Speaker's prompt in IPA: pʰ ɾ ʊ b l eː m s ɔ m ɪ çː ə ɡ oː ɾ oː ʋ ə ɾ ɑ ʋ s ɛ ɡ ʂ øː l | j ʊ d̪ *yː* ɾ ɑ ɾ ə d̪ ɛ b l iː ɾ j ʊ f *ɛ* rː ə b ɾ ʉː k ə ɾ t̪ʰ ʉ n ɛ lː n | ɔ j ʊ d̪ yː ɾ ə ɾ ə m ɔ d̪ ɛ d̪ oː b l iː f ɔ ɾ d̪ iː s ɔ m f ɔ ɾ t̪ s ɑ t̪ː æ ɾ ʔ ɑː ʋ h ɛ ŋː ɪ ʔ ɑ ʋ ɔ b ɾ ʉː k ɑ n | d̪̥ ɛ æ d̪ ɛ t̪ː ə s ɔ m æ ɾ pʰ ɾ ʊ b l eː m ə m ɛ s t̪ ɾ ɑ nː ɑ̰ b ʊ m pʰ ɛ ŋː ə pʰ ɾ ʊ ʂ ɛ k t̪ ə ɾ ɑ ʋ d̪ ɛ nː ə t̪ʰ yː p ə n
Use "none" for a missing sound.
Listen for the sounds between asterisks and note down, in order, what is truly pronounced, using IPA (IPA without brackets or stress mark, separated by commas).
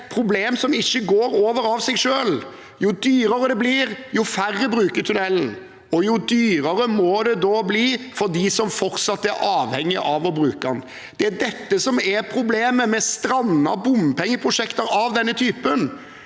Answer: yː, æ